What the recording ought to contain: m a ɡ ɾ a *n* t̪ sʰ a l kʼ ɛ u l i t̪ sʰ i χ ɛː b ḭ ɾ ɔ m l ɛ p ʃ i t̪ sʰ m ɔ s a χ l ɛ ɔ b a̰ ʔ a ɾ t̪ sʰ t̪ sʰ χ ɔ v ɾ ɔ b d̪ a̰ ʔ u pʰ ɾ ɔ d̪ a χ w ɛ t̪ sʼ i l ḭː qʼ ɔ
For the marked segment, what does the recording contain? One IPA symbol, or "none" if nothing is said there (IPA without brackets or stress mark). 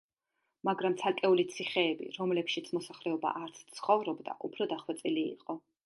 m